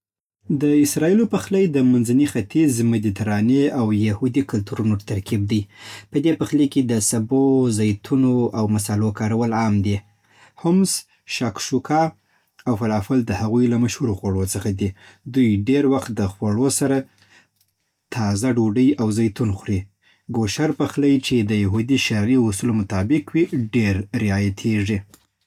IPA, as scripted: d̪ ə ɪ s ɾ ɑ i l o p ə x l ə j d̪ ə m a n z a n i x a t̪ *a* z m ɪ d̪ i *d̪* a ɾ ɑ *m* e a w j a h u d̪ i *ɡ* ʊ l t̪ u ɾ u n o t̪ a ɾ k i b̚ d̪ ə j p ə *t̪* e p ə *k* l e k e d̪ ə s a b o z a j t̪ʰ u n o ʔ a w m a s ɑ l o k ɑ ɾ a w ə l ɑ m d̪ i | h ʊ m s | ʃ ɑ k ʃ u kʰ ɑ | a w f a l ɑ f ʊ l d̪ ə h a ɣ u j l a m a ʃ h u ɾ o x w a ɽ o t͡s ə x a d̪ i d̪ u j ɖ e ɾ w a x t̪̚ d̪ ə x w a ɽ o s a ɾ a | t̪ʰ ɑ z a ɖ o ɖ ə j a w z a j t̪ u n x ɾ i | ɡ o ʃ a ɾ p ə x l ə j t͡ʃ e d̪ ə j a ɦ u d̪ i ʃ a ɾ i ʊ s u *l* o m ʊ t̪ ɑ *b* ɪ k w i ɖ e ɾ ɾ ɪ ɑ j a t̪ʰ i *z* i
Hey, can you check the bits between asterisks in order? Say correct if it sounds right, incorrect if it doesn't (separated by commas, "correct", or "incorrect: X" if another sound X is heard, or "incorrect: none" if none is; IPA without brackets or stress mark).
incorrect: i, incorrect: t̪, incorrect: n, incorrect: k, incorrect: d̪, incorrect: x, correct, correct, incorrect: ʐ